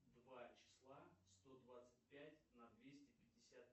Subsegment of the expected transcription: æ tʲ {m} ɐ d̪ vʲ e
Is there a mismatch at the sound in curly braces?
yes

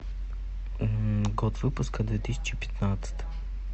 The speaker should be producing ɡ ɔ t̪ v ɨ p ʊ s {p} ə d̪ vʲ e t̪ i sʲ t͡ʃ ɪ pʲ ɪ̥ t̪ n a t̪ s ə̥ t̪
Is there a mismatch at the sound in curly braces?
yes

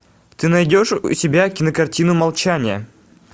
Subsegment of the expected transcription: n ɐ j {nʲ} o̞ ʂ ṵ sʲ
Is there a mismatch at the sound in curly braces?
yes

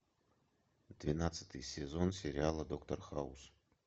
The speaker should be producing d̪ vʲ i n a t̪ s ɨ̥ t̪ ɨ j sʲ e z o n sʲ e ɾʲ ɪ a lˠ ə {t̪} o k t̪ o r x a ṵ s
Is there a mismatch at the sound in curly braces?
yes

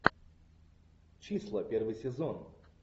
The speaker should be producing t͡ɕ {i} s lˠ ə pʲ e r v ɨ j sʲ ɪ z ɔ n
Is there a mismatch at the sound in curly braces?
no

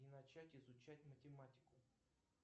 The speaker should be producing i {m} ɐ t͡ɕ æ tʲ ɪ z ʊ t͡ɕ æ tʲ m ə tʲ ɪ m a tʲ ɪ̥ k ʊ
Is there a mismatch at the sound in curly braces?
yes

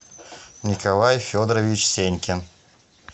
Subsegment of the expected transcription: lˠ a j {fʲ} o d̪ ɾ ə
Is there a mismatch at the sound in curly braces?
no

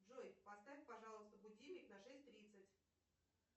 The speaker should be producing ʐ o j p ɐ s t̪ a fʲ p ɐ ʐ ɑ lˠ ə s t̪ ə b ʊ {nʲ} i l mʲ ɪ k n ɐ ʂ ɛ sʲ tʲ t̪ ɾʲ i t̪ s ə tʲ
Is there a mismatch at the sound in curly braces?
yes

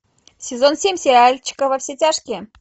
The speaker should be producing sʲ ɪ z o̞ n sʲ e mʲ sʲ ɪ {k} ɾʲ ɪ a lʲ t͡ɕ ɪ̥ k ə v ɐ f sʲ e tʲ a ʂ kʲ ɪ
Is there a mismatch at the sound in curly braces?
yes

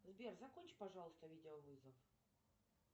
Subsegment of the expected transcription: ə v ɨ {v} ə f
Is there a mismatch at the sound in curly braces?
yes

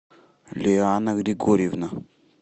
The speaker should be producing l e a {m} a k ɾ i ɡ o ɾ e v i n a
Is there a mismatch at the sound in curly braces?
yes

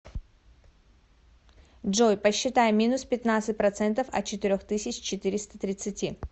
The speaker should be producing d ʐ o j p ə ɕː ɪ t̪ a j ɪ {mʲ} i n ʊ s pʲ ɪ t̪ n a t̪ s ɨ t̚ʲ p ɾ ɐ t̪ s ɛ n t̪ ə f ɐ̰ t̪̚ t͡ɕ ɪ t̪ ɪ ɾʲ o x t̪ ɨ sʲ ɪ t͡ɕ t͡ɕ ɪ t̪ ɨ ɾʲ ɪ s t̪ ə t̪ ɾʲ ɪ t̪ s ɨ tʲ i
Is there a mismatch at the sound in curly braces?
no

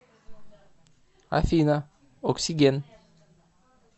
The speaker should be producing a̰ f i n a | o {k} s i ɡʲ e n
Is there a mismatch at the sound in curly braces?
no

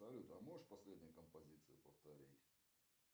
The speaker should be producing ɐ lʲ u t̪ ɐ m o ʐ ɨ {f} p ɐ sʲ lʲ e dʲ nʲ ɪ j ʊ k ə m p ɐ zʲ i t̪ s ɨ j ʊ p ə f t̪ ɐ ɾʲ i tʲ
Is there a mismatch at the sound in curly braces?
yes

